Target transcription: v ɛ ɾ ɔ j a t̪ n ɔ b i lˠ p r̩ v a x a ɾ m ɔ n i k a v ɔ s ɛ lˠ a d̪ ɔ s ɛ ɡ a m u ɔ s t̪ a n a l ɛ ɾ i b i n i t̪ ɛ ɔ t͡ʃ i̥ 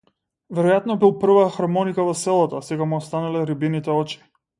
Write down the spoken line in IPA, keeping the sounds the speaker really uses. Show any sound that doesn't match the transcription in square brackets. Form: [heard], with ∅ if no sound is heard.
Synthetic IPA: v ɛ ɾ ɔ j a t̪ n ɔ b i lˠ p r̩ v a x a ɾ m ɔ n i k a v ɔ s ɛ lˠ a [t̪] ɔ s ɛ ɡ a m u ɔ s t̪ a n a l ɛ ɾ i b i n i t̪ ɛ ɔ t͡ʃ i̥